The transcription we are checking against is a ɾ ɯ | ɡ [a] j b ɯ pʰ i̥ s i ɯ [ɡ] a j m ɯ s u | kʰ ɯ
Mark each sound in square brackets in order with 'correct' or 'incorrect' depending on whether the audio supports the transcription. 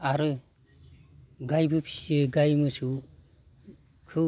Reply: correct, correct

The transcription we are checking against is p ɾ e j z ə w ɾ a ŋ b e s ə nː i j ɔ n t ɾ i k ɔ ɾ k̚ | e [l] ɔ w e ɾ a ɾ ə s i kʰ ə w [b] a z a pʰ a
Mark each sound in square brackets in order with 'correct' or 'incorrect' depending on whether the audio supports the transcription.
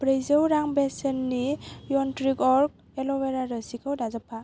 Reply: correct, incorrect: d

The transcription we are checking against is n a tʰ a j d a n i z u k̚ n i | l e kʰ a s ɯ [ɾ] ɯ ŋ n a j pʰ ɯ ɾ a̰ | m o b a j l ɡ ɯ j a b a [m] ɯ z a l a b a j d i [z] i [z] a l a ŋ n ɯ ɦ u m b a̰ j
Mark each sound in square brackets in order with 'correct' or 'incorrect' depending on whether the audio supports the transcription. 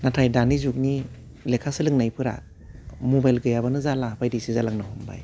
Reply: incorrect: l, incorrect: n, incorrect: s, correct

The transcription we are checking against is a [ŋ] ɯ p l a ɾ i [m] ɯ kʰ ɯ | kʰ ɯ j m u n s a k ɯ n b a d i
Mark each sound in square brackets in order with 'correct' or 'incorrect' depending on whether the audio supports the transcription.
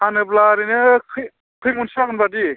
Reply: incorrect: n, incorrect: n

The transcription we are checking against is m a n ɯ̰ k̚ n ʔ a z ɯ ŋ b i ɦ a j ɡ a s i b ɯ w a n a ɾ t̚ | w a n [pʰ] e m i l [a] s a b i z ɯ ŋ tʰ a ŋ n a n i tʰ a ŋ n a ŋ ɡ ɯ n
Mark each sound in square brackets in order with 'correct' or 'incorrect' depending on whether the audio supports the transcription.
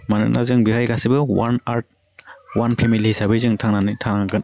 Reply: correct, incorrect: i

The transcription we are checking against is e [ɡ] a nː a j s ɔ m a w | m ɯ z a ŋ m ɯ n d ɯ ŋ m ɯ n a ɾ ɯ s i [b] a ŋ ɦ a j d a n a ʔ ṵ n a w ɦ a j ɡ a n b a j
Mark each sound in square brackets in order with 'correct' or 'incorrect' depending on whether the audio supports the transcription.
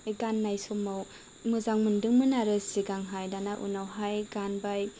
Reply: correct, incorrect: ɡ

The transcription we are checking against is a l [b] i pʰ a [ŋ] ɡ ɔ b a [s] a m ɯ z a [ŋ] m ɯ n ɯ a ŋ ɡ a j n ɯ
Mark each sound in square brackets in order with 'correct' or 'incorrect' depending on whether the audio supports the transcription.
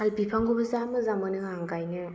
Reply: correct, correct, incorrect: z, incorrect: none

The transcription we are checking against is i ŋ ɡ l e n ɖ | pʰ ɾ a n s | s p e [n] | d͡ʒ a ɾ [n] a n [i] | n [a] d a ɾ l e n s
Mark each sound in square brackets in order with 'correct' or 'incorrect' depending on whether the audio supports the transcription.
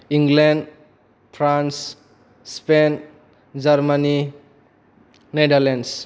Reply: correct, incorrect: m, correct, incorrect: e

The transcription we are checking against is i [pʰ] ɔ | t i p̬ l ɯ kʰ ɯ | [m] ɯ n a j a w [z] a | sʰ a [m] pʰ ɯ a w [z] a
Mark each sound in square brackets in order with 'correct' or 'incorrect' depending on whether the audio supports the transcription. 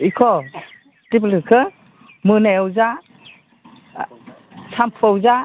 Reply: incorrect: kʰ, correct, correct, correct, correct

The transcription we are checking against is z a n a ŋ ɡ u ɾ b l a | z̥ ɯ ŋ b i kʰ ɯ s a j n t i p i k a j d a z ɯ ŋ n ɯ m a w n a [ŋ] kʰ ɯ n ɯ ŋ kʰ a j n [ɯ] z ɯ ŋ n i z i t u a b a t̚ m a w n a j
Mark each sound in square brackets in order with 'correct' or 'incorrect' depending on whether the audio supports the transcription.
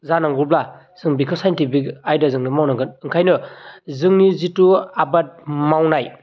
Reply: correct, correct

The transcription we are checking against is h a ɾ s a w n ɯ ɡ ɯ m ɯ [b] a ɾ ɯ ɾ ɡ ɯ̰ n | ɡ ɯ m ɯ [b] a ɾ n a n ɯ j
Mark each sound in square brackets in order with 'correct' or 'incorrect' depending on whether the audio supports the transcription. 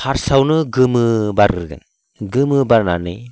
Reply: correct, correct

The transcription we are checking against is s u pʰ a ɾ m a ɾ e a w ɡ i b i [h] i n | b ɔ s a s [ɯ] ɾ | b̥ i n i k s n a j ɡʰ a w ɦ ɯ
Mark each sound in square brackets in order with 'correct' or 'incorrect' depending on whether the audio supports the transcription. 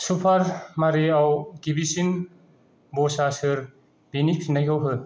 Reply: incorrect: s, correct

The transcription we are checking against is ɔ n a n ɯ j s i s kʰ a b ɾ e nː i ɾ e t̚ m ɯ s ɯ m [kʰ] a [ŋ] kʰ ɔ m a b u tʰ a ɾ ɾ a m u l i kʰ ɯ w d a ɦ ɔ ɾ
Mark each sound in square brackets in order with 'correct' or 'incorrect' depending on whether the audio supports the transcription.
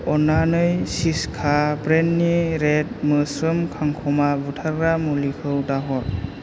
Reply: correct, correct

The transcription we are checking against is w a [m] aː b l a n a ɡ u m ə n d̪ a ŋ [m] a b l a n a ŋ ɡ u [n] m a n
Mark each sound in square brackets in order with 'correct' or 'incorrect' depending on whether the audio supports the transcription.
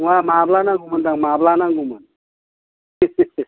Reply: correct, correct, incorrect: none

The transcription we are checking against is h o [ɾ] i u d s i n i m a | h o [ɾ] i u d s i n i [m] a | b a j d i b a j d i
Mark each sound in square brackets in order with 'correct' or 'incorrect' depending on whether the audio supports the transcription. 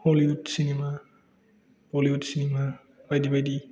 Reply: incorrect: l, incorrect: l, correct

